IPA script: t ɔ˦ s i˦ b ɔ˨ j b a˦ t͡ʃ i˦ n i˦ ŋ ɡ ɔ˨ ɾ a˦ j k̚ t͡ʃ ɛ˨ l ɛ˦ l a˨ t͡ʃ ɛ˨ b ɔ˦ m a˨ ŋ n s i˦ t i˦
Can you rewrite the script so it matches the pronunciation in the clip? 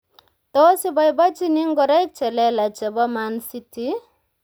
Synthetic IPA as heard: t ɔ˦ s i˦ b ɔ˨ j b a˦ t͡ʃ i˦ n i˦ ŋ ɡ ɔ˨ ɾ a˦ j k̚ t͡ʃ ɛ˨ l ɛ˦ l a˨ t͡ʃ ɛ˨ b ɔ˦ m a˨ n s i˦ t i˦